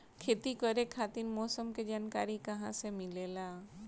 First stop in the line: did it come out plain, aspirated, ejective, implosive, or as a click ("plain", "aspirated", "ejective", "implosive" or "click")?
aspirated